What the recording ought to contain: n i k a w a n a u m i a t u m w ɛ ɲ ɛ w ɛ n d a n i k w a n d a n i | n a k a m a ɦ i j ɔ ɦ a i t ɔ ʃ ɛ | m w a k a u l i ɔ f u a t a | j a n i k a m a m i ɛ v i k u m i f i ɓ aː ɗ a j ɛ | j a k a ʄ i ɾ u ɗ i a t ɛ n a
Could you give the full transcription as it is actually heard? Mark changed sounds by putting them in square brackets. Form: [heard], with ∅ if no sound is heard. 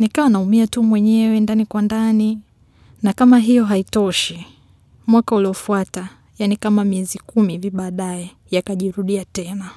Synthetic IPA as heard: n i k a w a n a u m i a t u m w ɛ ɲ ɛ w ɛ n d a n i k w a n d a n i | n a k a m a ɦ i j ɔ ɦ a i t ɔ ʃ [i] | m w a k a u l i ɔ f u a t a | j a n i k a m a m i ɛ [z] i k u m i [v] i ɓ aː ɗ a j ɛ | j a k a ʄ i ɾ u ɗ i a t ɛ n a